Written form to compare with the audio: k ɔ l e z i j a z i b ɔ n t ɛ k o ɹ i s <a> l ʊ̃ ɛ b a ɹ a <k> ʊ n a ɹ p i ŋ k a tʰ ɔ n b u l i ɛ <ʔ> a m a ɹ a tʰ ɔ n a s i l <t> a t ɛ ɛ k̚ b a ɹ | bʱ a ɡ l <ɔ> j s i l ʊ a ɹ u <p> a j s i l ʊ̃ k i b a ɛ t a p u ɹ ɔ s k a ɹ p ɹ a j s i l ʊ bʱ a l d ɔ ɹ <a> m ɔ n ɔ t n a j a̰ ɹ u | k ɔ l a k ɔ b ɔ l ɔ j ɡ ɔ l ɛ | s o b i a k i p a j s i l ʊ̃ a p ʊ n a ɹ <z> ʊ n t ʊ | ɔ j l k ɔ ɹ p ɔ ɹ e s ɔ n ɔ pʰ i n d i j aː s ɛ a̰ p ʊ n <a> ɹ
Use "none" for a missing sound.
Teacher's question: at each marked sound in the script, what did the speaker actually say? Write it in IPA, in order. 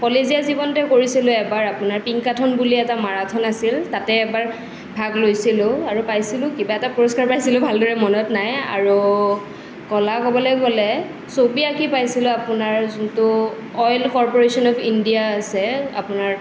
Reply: i, p, t, t, o, p, ɛ, z, a

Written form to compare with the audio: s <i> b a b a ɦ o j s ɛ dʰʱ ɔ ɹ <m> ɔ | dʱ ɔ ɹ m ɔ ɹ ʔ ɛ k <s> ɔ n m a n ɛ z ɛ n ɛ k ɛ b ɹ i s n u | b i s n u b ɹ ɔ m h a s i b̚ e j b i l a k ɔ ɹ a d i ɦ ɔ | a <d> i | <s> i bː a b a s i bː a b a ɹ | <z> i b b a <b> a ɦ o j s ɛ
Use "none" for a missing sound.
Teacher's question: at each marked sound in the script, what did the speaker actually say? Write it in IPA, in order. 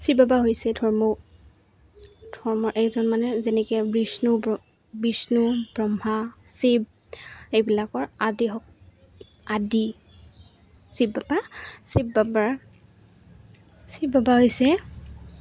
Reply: i, m, z, d, s, s, b

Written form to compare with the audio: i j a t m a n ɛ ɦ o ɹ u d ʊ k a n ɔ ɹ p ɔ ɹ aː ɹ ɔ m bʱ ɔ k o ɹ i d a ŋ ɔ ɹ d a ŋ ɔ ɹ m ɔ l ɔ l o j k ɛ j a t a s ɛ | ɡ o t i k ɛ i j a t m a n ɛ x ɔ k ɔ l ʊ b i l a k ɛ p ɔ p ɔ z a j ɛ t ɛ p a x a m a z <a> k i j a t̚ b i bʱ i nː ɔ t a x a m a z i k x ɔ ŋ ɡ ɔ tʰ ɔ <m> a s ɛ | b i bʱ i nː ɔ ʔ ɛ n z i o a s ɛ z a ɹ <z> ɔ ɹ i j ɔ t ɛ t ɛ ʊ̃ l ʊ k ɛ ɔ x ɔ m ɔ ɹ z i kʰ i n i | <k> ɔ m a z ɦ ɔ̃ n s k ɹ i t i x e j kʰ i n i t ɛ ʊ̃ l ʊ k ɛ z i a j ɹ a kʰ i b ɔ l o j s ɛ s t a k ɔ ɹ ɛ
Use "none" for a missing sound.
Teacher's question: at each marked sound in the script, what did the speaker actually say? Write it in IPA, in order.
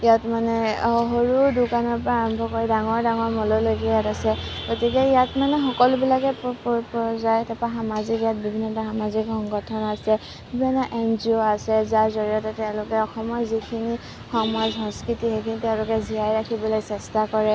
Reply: i, n, z, x

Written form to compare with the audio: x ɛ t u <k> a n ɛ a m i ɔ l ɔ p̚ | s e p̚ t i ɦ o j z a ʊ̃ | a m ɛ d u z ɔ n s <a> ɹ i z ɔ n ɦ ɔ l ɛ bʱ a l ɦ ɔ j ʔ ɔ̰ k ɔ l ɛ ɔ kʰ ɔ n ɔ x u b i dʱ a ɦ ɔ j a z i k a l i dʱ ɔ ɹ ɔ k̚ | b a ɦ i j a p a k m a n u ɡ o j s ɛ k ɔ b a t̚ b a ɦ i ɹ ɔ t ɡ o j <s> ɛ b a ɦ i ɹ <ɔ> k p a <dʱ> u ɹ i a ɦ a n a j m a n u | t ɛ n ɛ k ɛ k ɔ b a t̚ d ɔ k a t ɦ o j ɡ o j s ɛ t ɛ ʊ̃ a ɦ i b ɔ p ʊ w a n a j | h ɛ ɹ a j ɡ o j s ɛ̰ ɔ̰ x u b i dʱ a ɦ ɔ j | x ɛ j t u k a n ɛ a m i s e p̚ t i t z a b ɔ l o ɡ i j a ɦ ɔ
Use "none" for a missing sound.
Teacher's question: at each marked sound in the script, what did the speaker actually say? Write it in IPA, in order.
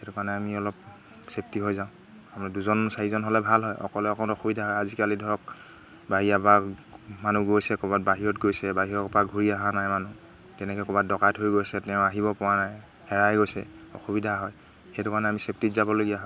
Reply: k, a, s, ɔ, ɡʱ

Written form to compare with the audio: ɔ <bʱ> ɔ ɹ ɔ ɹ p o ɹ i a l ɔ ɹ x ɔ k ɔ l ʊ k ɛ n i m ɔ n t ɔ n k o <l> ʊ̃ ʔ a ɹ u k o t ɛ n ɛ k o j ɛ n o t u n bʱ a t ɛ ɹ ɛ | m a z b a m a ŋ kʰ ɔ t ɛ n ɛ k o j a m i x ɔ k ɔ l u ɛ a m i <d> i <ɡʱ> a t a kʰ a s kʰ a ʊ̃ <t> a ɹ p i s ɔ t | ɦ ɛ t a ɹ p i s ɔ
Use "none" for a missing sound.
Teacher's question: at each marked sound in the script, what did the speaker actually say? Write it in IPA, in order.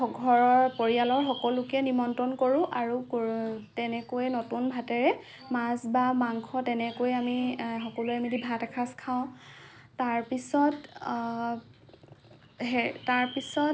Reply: ɡʱ, ɹ, d, bʱ, t

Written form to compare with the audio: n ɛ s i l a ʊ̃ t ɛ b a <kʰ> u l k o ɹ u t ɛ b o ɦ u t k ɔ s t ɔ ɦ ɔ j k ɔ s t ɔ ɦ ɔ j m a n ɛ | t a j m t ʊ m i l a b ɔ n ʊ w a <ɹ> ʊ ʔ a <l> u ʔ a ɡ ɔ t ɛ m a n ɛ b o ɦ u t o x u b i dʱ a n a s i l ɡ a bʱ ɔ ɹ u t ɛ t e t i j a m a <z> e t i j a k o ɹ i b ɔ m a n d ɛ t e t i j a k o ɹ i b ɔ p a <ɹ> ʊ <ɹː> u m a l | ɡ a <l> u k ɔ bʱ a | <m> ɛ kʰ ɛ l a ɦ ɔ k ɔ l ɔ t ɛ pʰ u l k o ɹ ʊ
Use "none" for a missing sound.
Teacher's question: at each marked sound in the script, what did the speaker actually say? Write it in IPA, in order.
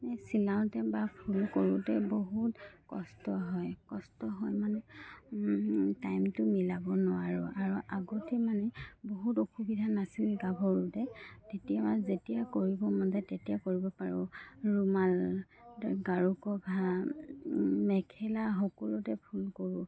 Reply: pʰ, ɹ, ɹ, z, ɹ, ɹ, ɹ, m

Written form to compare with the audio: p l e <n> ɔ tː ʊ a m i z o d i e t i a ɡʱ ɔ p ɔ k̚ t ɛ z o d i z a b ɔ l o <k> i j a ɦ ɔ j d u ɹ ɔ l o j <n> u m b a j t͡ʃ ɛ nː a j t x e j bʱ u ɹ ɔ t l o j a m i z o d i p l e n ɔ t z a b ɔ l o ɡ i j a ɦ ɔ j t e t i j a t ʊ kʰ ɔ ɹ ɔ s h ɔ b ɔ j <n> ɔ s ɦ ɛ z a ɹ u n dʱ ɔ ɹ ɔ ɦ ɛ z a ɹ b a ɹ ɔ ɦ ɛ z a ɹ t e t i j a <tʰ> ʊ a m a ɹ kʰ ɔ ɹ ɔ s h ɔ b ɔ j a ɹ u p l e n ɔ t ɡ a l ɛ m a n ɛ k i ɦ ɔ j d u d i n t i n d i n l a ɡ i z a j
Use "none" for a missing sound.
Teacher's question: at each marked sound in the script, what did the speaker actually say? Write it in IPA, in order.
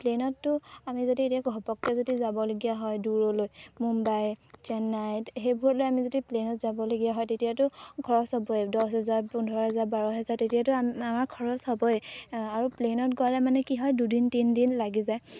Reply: n, ɡ, m, d, t

